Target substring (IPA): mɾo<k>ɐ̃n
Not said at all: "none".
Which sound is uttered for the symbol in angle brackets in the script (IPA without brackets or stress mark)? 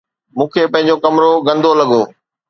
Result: ɡ